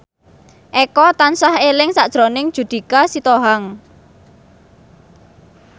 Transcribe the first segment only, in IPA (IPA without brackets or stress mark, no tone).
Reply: ʔ